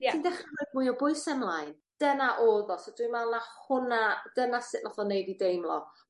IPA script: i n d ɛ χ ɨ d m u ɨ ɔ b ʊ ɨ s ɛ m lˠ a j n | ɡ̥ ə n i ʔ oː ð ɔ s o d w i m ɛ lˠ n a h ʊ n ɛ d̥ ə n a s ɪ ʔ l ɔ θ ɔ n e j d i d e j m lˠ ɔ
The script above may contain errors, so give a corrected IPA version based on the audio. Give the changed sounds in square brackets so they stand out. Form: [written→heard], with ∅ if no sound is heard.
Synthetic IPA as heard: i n d ɛ χ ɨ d m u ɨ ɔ b ʊ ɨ s ɛ m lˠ a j n | [ɡ̥→d̥] ə n [i→a] ʔ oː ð ɔ s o d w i m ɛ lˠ n a h ʊ n [ɛ→a] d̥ ə n a s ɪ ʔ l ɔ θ ɔ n e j d i d e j m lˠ ɔ